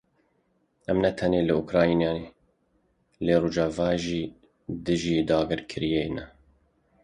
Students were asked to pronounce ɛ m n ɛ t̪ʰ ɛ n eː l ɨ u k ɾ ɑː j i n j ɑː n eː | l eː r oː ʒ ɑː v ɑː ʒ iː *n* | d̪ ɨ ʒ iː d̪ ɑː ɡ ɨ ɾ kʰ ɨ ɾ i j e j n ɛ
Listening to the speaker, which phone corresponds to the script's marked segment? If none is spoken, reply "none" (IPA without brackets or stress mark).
none